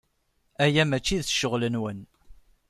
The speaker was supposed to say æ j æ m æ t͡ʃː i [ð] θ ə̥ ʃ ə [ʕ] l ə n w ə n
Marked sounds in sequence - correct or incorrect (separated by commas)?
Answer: correct, incorrect